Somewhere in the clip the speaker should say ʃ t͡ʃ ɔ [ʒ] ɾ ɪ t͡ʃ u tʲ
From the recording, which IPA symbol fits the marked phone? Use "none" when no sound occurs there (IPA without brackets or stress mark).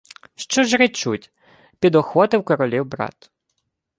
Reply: ʒ